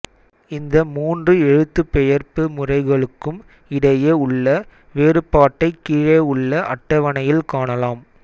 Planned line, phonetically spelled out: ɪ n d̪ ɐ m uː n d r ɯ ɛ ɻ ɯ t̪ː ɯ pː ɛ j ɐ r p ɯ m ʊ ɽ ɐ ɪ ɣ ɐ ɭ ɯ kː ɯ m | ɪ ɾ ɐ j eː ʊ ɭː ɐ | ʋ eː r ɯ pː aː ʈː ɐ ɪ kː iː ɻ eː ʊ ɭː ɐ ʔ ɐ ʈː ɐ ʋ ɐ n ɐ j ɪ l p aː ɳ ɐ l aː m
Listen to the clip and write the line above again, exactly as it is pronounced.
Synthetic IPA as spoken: ɪ n d̪ ɐ m uː n d r ɯ ɛ ɻ ɯ t̪ː ɯ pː ɛ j ɐ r p ɯ m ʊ r ɐ ɪ ɣ ɐ ɭ ɯ kː ɯ m | ɪ ɽ ɐ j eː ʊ ɭː ɐ | ʋ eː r ɯ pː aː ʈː ɐ ɪ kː iː ɻ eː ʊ ɭː ɐ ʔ ɐ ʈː ɐ ʋ ɐ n ɐ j ɪ l k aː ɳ ɐ l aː m